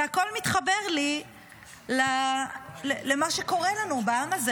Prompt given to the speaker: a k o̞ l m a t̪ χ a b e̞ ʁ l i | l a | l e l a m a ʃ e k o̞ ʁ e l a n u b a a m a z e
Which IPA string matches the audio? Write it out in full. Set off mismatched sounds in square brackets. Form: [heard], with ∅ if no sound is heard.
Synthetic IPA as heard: a k o̞ l m [i] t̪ χ a b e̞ ʁ l i | l a | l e l [e] m a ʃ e k o̞ ʁ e l a n u b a a m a z e